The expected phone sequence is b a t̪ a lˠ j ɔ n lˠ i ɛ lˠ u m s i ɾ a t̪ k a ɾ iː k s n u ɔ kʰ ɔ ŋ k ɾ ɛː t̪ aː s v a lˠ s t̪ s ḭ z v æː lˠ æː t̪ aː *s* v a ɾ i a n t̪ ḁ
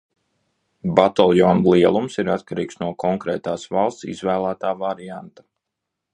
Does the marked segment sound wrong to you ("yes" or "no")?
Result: yes